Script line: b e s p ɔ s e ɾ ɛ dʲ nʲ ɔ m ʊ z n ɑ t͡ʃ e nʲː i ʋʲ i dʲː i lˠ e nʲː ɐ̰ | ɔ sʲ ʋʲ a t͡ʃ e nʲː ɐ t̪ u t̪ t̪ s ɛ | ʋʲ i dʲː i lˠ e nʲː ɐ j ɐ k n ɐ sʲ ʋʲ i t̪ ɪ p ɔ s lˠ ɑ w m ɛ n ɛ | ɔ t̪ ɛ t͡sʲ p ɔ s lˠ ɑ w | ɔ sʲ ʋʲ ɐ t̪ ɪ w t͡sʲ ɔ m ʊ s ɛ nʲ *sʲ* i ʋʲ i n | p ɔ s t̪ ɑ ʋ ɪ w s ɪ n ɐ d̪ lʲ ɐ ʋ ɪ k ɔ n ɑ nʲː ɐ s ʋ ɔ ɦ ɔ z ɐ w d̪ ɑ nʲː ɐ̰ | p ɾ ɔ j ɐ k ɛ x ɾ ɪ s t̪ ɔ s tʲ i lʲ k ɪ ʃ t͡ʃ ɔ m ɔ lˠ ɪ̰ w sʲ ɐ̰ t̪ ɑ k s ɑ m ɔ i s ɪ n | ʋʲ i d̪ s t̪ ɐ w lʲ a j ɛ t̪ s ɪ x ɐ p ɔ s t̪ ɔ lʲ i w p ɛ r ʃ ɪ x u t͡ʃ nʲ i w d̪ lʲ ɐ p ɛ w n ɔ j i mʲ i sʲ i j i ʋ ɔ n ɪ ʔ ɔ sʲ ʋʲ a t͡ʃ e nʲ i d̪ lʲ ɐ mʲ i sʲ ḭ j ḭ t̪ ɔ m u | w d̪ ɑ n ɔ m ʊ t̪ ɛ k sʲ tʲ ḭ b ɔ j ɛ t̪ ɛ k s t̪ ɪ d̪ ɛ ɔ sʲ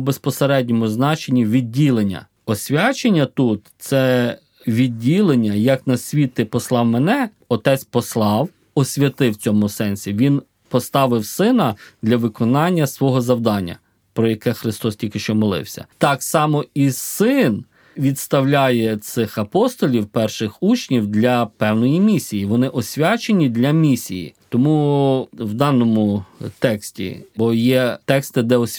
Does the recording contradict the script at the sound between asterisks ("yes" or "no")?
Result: no